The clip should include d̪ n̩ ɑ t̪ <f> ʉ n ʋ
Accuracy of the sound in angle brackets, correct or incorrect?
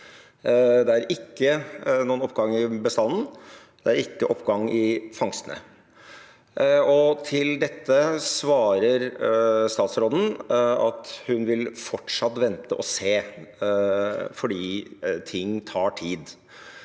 incorrect